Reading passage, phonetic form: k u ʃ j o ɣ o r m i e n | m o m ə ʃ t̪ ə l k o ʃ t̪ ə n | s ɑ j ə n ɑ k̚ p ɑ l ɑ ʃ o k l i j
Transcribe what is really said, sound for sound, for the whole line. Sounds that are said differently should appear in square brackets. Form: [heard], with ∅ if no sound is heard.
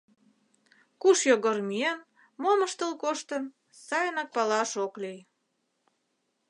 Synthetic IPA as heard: k u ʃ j o ɣ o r m i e n | m o m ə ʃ t̪ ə l k o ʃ t̪ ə n | s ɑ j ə n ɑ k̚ p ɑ l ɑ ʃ o k l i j

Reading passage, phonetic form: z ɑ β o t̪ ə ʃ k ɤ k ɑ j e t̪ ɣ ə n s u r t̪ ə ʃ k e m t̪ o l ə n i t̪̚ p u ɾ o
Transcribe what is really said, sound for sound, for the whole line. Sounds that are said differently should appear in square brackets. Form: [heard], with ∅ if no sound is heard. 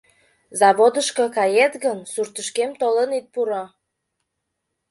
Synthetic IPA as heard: z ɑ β o [d̪] ə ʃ k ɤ k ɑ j e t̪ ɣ ə n s u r t̪ ə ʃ k e m t̪ o l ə n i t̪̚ p u ɾ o

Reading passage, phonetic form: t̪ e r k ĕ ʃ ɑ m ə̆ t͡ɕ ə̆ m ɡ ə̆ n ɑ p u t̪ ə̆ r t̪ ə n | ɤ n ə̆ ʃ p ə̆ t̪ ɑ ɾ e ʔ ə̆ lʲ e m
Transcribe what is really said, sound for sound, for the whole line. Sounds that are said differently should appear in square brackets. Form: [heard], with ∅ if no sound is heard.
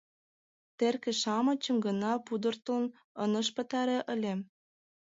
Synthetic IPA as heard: t̪ e r k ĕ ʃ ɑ m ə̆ t͡ɕ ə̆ m ɡ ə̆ n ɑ p u [d̪] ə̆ r t̪ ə n | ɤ n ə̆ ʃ p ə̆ t̪ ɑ ɾ e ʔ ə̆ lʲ e m

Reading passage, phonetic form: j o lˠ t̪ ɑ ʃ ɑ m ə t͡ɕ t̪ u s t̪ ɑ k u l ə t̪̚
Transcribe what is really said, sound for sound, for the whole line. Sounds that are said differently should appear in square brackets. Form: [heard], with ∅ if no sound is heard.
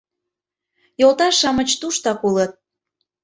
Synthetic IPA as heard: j o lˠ t̪ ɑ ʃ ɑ m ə t͡ɕ t̪ u [ʃ] t̪ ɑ k u l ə t̪̚

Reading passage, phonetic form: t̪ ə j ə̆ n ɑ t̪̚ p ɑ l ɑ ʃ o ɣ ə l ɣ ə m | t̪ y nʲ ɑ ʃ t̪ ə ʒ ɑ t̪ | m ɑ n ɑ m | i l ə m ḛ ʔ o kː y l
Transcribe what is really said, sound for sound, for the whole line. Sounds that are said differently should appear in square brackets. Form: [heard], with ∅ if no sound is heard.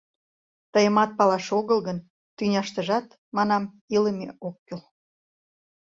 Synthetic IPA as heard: t̪ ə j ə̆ [m] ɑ t̪̚ p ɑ l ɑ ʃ o ɣ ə l ɣ ə [n] | t̪ y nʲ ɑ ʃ t̪ ə ʒ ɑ t̪ | m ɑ n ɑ m | i l ə m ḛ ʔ o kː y l

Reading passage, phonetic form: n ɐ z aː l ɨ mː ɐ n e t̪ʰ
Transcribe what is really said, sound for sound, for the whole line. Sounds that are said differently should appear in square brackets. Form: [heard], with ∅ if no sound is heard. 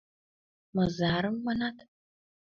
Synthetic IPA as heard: [m] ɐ z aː [ɾ] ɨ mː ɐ n [a] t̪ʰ

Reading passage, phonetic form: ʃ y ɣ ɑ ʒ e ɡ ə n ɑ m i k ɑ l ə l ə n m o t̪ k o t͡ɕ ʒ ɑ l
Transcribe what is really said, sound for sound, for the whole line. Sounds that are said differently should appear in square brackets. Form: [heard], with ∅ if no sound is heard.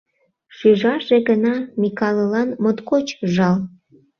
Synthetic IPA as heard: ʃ y [ʒ] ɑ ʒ e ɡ ə n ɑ m i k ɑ l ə l [ɑ] n m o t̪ k o t͡ɕ ʒ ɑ l

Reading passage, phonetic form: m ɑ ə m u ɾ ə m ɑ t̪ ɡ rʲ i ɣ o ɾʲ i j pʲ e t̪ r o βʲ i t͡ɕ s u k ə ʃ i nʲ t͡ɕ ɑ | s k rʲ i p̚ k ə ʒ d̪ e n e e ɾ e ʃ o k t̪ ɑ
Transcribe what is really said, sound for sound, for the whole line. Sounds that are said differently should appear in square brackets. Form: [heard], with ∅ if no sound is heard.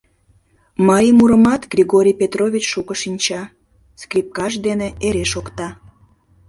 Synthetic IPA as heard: m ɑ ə m u ɾ ə m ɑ t̪ ɡ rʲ i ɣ o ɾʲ i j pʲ e t̪ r o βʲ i t͡ɕ [ʃ] u k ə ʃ i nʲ t͡ɕ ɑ | s k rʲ i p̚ k [ɑ] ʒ d̪ e n e e ɾ e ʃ o k t̪ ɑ

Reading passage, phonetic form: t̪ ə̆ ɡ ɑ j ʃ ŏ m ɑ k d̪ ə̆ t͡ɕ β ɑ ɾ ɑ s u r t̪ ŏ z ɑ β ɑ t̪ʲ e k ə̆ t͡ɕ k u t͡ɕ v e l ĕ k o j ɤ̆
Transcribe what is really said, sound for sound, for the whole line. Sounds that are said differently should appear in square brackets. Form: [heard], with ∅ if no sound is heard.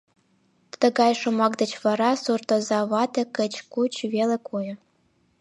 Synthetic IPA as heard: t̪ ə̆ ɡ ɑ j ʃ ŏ m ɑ k d̪ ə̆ t͡ɕ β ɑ ɾ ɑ s u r t̪ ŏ z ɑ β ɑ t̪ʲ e k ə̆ t͡ɕ k u t͡ɕ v e l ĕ k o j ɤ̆

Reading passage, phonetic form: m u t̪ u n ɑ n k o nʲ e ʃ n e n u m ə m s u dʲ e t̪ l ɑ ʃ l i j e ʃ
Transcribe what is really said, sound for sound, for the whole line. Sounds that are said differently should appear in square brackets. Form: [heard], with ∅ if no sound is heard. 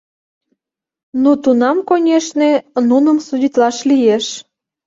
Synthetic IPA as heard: [n] u t̪ u n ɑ [m] k o nʲ e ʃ n e n u [n] ə m s u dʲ [i] t̪ l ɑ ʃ l i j e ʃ

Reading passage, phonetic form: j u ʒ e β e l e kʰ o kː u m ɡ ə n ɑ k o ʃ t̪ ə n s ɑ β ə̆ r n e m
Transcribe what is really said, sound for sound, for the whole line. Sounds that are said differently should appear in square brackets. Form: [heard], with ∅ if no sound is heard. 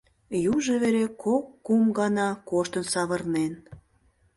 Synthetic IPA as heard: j u ʒ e β e [ɾ] e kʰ o kː u m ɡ [ɑ] n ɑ k o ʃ t̪ ə n s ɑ β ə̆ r n e [n]

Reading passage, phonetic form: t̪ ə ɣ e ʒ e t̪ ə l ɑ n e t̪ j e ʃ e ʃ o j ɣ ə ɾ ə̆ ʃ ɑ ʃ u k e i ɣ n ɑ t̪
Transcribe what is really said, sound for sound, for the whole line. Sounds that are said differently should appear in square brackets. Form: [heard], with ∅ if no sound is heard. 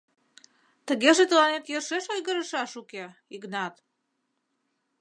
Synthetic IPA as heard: t̪ ə ɣ e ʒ e t̪ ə l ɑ n e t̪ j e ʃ e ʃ o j ɣ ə ɾ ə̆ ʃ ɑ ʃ u k e i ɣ n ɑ t̪

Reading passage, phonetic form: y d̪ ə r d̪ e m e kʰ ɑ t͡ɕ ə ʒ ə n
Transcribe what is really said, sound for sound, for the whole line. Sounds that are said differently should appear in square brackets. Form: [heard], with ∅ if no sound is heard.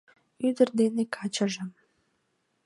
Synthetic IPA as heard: y d̪ ə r d̪ e [n] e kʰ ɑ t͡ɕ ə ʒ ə [m]

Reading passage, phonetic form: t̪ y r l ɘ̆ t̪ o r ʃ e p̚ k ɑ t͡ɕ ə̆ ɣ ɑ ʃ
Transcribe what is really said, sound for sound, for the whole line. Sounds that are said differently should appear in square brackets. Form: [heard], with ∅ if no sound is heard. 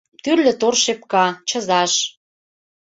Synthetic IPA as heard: t̪ y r l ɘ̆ t̪ o r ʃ e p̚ k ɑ t͡ɕ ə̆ [z] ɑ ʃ

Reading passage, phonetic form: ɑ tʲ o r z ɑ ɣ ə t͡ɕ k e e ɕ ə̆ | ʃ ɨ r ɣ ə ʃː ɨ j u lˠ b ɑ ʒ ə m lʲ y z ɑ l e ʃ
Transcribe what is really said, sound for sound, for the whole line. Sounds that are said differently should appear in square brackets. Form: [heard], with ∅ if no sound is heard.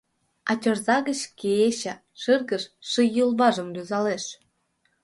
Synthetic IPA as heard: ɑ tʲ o r z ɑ ɣ ə t͡ɕ k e e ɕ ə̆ | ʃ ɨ r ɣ ə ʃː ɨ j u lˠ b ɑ ʒ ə m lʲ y z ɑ l e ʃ

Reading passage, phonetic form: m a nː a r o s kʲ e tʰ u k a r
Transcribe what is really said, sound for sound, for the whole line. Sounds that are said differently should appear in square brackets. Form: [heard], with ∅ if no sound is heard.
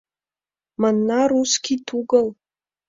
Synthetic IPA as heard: m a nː a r [u] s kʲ [i] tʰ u [ɡ] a [l]

